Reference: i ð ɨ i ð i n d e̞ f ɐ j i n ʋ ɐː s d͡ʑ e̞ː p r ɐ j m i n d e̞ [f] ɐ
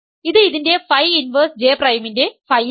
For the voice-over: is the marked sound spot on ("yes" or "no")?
yes